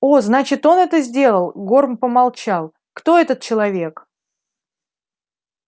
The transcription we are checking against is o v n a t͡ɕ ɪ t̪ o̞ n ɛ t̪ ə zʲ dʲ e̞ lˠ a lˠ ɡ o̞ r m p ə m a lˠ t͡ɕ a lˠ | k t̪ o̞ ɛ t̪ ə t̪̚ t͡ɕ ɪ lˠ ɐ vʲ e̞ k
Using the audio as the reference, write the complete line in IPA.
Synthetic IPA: o z n a t͡ɕ ɪ t̪ o̞ n ɛ t̪ ə zʲ dʲ e̞ lˠ ə lˠ ɡ o̞ r m p ə m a lˠ t͡ɕ a lˠ | k t̪ o̞ ɛ t̪ ə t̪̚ t͡ɕ ɪ lˠ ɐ vʲ e̞ k